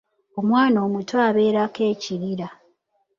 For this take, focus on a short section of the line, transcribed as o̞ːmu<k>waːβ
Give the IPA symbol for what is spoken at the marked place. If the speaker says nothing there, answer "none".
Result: t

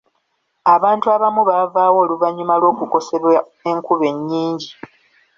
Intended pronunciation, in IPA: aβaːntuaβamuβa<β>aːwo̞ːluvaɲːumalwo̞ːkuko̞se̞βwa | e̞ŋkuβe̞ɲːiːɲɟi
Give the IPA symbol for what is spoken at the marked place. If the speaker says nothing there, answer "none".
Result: v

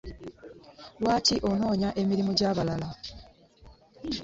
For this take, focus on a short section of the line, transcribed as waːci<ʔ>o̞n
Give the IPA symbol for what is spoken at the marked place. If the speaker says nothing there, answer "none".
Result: ʔ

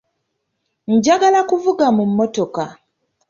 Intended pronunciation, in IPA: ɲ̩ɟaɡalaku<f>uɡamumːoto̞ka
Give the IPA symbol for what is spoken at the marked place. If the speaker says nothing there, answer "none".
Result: v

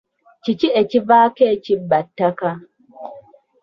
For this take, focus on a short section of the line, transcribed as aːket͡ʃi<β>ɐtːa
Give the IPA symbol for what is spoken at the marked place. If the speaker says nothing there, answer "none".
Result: b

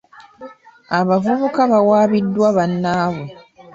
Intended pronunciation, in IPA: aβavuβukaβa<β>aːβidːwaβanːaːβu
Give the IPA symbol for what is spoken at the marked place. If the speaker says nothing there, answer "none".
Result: w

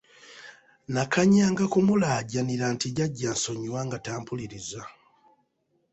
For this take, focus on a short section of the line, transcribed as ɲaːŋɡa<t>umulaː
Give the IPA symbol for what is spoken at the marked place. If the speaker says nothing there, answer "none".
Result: k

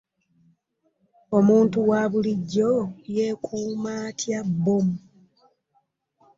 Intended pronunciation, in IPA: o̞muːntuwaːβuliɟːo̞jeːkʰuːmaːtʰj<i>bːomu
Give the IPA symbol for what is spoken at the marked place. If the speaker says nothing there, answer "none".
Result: a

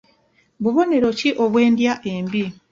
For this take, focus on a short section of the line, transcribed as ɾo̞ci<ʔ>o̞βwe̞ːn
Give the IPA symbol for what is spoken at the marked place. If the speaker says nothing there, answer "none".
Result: ʔ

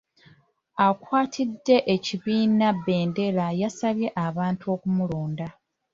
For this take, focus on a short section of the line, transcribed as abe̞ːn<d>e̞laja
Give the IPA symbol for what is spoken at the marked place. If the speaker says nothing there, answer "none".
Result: d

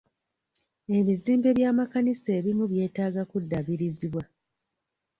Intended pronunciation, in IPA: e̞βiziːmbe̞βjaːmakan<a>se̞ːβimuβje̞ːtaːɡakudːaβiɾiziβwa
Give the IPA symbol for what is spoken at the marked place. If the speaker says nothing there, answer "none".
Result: i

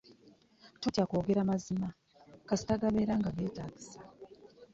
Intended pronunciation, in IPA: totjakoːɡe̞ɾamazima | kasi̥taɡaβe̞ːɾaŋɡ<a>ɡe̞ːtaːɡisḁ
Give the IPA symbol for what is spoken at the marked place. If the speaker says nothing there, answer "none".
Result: a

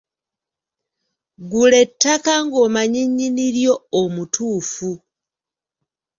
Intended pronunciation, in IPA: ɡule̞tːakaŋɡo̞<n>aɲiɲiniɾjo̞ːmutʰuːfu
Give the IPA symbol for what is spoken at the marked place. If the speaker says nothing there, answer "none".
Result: m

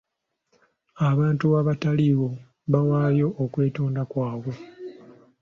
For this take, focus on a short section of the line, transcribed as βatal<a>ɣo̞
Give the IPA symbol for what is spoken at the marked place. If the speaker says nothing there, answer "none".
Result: i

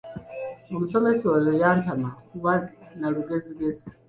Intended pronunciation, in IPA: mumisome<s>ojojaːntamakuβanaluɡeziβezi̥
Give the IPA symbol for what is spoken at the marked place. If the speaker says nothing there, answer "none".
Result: s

